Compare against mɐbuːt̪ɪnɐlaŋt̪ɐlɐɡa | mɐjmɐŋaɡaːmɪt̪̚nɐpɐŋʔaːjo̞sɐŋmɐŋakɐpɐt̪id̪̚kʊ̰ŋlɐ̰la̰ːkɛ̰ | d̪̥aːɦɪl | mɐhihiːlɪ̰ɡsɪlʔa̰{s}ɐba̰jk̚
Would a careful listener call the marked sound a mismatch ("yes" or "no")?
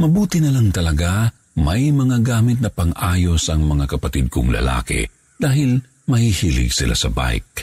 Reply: no